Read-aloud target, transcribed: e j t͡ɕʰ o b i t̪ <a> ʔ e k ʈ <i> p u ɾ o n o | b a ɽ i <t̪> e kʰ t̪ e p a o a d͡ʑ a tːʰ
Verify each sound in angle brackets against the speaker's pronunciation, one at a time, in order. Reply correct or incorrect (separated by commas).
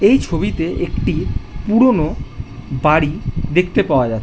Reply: incorrect, correct, incorrect